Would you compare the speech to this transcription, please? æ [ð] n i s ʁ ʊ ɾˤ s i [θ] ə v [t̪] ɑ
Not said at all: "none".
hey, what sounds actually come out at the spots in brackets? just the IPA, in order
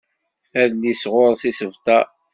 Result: ð, s, t̪

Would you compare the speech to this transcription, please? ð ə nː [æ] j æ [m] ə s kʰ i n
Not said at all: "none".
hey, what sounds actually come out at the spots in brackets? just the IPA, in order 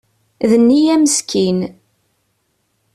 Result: i, m

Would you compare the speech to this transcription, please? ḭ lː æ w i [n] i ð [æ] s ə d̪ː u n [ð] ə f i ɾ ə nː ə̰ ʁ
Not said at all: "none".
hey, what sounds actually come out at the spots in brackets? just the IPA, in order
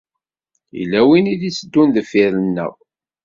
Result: n, i, ð

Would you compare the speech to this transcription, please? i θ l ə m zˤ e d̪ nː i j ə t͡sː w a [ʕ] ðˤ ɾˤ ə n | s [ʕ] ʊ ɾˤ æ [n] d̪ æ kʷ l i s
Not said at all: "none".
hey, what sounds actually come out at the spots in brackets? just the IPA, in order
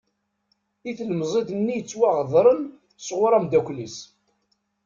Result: ʁ, ʁ, m

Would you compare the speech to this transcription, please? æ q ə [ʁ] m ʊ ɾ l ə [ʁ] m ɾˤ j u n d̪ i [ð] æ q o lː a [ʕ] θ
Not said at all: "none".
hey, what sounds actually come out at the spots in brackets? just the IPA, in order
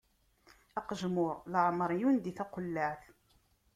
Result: ʒ, ʕ, θ, ʕ

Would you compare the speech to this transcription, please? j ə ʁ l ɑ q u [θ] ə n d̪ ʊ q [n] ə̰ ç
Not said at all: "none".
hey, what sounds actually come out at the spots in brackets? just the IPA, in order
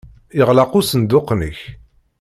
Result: s, n

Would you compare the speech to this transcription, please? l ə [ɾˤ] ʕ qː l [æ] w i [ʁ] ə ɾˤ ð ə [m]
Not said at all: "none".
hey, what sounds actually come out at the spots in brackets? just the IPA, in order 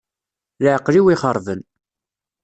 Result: none, i, χ, n

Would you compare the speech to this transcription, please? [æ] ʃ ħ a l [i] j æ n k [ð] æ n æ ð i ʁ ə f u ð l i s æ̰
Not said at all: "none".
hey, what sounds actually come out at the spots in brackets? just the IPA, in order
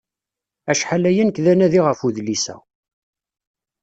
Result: æ, æ, ð

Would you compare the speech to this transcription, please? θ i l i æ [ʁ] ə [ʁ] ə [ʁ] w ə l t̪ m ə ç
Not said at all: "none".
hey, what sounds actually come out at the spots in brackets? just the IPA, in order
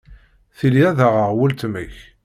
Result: ð, ʁ, ʁ

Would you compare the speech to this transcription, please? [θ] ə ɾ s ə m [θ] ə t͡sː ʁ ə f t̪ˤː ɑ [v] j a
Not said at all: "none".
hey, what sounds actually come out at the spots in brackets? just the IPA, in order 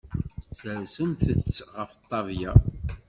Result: s, θ, v

